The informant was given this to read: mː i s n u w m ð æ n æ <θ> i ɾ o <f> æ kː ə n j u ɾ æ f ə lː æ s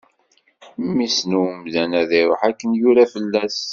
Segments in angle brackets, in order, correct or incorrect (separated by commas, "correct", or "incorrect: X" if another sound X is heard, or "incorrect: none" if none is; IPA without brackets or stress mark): incorrect: ð, incorrect: ħ